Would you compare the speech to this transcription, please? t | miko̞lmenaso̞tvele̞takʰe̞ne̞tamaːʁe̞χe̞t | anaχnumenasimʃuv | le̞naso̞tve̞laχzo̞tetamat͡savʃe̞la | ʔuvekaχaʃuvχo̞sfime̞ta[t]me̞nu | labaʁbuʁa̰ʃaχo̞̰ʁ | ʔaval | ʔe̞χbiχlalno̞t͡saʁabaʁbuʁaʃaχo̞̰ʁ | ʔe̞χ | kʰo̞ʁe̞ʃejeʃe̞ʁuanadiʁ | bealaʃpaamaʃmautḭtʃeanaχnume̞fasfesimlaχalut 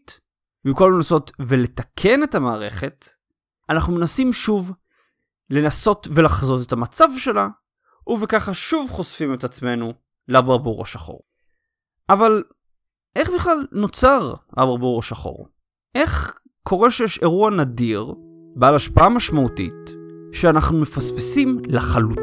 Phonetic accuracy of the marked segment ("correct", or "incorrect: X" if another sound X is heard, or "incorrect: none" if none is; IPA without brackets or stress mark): incorrect: t͡s